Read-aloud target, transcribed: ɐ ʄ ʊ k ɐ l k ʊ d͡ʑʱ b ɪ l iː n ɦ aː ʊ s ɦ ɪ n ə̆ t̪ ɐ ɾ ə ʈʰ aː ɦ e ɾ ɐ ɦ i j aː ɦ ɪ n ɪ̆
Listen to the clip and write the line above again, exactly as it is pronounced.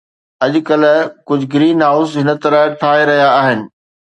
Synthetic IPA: ɐ ʄ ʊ k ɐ l k ʊ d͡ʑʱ ɡ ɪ ɾ iː n ɦ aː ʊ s ɦ ɪ n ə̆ t̪ ɐ ɾ ə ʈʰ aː ɦ e ɾ ɐ ɦ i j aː ɦ ɪ n ɪ̆